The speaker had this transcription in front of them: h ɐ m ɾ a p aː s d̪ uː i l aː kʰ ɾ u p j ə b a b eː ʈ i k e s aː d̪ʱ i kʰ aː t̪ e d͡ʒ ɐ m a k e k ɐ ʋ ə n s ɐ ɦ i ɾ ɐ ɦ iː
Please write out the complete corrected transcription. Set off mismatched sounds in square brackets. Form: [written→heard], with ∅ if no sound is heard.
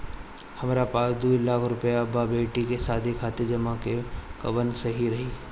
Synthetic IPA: h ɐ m ɾ a p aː s d̪ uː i l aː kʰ ɾ [u→ʊ] p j [ə→a] b a b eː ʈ i k e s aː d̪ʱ i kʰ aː t̪ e d͡ʒ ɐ m a k e k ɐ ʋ ə n s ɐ ɦ i ɾ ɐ ɦ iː